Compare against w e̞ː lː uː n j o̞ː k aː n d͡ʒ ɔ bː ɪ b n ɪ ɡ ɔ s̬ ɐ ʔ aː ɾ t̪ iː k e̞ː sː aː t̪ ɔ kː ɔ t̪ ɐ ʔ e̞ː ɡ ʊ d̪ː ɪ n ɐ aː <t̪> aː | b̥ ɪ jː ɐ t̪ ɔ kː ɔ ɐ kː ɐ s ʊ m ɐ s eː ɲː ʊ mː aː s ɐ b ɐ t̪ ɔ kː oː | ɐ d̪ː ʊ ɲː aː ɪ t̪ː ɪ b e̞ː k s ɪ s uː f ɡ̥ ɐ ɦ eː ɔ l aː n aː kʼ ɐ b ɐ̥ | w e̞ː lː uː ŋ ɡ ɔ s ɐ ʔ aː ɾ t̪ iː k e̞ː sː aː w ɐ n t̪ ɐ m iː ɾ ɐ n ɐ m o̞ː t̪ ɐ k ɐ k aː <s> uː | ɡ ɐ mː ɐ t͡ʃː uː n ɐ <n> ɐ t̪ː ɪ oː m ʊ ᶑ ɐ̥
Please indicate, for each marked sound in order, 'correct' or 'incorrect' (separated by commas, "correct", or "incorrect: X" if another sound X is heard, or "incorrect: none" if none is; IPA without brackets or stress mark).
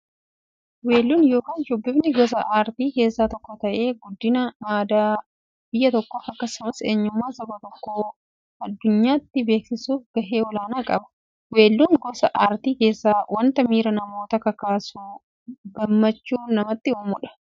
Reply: incorrect: d̪, correct, incorrect: m